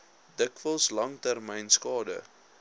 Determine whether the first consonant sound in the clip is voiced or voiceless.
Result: voiced